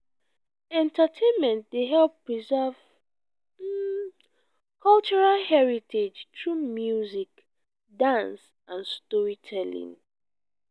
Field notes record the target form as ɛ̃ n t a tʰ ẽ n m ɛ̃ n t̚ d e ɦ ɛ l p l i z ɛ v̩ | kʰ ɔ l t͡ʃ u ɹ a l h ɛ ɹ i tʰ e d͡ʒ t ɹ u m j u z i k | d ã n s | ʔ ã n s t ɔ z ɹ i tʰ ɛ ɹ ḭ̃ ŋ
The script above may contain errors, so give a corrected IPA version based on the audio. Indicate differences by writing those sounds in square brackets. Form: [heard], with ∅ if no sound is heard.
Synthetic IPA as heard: ɛ̃ n t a tʰ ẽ n m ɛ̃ n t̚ d e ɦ ɛ l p [ɹ] i z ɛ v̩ | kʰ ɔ l t͡ʃ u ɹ a l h ɛ ɹ i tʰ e d͡ʒ t ɹ u m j u z i k | d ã n s | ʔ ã n s t ɔ [∅] ɹ i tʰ ɛ [l] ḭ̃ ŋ